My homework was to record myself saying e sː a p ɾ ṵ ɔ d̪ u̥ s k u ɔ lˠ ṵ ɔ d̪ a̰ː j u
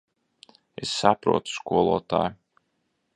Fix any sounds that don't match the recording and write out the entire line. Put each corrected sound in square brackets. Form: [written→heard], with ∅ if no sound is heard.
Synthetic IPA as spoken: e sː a p ɾ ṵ ɔ [d̪→t̪] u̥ s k u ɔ lˠ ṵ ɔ [d̪→t̪] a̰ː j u

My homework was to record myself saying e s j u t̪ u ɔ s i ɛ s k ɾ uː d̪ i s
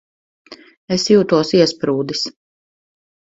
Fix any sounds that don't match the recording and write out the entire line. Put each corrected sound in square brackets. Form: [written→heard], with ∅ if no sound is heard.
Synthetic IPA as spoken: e s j [u→uː] t̪ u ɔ s i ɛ s [k→p] ɾ uː d̪ i s

